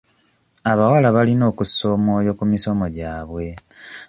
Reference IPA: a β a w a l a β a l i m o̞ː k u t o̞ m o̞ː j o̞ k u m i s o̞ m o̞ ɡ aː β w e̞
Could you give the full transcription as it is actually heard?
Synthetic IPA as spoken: a β a w a l a β a l i n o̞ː k u s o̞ m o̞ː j o̞ k u m i s o̞ m o̞ ɟ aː β w e̞

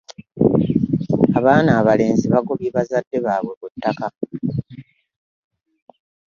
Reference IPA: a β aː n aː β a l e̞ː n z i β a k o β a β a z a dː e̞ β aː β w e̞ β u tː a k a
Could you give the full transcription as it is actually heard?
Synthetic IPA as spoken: a β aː n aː β a l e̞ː n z i β a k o β i β a z a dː e̞ β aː β w e̞ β u tː a k a

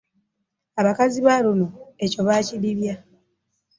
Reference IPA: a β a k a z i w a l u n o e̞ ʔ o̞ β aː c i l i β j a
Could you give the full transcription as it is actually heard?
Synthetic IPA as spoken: a β a k a z i β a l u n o e̞ c o̞ β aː c i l i β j a

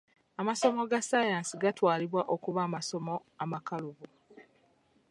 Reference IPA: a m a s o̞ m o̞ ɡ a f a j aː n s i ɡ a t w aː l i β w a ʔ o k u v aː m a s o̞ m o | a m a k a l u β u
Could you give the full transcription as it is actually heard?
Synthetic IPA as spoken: a m a s o̞ m o̞ ɡ a s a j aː n s i ɡ a t w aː l i β w a ʔ o k u β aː m a s o̞ m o | a m a k a l u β u

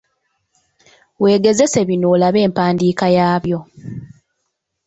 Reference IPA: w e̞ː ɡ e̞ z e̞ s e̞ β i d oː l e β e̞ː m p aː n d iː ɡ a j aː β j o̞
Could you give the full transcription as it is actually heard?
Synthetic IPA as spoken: w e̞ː ɡ e̞ z e̞ s e̞ β i n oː l a β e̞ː m p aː n d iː k a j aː β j o̞

